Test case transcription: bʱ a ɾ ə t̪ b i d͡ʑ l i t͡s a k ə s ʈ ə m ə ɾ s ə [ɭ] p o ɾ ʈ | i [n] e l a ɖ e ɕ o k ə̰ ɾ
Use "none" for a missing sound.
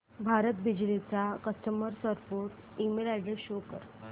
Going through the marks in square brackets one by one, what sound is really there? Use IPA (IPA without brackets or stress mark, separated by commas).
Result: ɾ, m